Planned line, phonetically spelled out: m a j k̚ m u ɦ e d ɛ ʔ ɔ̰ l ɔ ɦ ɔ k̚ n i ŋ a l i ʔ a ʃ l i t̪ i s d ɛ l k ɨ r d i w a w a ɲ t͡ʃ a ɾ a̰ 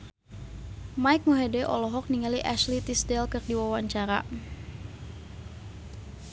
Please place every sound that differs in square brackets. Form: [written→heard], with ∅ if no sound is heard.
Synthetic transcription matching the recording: m a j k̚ m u ɦ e d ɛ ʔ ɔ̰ l ɔ ɦ ɔ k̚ n i ŋ a l i ʔ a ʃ l i t̪ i s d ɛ l k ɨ r d i w a w a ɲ t͡ʃ a ɾ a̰